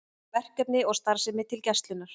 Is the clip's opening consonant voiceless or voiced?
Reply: voiced